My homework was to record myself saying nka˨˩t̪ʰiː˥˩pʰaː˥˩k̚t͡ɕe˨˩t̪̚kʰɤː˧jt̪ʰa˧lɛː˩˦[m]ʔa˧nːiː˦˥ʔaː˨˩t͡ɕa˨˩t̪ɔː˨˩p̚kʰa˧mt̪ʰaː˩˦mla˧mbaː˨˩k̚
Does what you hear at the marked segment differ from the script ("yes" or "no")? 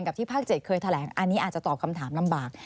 yes